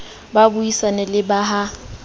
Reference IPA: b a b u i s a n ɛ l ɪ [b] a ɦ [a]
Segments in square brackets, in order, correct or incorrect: correct, correct

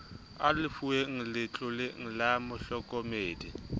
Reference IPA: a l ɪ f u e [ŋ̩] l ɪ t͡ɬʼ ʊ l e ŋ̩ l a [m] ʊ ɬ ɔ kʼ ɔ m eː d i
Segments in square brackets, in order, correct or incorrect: correct, correct

